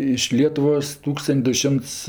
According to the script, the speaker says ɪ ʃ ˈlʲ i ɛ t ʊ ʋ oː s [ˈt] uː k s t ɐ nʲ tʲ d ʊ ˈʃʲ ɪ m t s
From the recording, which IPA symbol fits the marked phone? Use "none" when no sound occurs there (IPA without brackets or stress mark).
t